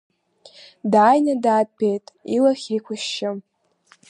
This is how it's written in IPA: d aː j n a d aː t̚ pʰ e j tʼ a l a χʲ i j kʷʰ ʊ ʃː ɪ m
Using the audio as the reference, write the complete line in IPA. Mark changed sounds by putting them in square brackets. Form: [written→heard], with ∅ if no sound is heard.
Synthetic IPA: d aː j n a d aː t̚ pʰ e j tʼ [a→i] l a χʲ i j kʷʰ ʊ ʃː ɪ m